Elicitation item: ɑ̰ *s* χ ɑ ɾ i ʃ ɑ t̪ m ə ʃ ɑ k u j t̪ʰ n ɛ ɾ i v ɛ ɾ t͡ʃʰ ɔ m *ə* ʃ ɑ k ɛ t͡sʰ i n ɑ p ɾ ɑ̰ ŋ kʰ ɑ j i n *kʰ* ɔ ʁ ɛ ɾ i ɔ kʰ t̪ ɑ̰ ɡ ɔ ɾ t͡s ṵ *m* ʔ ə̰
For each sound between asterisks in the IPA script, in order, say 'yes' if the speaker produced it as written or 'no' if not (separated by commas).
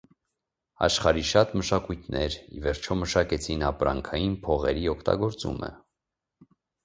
no, yes, no, yes